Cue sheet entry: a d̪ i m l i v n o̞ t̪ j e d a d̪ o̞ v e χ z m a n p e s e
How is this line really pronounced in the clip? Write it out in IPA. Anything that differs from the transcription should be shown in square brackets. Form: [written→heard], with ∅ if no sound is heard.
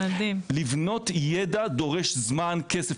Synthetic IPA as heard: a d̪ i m l i v n o̞ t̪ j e d a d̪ o̞ [v→ʁ] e [χ→ʃ] z m a n [p→k] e s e